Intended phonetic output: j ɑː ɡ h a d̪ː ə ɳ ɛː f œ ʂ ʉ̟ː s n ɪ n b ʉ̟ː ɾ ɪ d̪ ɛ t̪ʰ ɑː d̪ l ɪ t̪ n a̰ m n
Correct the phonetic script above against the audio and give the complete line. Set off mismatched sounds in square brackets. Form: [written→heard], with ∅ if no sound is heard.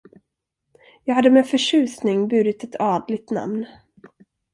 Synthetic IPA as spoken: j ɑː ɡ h a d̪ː ə [ɳ→m] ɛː f œ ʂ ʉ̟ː s n ɪ [n→ŋ] b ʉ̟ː ɾ ɪ [d̪→t̪] ɛ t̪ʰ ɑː d̪ l ɪ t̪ n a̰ m n